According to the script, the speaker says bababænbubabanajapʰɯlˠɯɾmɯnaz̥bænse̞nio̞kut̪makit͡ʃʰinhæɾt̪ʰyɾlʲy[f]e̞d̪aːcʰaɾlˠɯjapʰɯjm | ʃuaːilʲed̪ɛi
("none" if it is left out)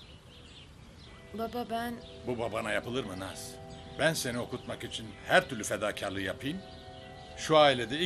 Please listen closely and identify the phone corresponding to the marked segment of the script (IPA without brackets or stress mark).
f